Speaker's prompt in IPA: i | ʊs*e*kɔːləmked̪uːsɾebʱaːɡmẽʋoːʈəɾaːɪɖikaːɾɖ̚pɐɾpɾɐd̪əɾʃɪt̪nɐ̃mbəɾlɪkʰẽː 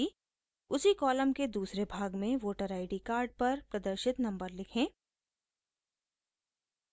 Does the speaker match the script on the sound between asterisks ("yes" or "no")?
no